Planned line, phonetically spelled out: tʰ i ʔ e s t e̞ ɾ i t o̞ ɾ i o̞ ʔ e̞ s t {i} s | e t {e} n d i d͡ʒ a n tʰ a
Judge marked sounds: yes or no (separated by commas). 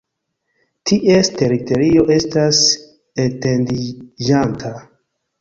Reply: no, yes